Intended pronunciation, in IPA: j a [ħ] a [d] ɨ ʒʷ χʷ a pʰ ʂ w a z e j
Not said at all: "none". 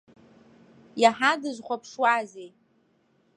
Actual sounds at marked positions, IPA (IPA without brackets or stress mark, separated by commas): ħ, d